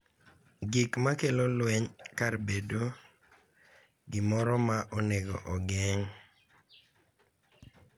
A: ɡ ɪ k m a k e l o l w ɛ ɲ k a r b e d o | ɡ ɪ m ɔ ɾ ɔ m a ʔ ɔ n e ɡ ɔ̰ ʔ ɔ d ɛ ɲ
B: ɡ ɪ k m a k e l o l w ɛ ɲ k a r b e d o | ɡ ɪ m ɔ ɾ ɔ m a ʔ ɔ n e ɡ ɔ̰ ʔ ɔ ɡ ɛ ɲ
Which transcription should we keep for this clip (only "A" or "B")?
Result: B